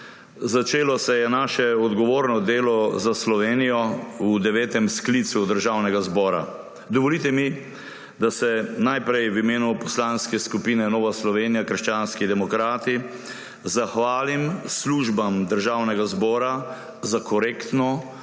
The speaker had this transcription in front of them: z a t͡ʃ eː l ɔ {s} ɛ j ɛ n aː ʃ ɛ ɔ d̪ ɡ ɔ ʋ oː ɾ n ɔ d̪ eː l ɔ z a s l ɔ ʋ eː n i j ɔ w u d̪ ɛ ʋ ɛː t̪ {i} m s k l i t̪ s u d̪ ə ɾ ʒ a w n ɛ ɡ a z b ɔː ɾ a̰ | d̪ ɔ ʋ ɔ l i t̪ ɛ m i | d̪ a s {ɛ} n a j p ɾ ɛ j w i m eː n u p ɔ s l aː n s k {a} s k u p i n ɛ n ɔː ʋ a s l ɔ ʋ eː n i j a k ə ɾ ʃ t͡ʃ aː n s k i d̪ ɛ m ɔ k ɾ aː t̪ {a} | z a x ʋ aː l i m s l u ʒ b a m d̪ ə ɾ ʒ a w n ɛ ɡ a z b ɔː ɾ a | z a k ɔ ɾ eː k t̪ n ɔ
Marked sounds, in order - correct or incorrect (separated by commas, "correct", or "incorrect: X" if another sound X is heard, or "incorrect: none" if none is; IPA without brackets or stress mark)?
correct, incorrect: ɛ, correct, incorrect: ɛ, incorrect: i